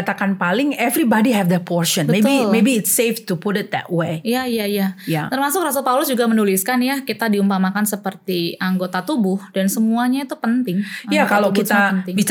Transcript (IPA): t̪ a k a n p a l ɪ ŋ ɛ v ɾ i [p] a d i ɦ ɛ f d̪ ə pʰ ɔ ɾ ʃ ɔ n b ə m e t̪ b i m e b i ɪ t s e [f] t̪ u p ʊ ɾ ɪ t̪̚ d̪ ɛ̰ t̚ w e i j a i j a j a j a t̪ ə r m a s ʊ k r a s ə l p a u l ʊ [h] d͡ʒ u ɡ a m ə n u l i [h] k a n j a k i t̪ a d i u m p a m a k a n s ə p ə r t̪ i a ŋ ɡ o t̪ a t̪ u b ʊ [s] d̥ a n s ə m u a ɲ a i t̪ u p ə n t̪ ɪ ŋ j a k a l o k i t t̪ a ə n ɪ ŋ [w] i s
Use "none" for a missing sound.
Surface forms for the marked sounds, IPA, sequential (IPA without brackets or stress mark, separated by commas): b, f, s, s, h, b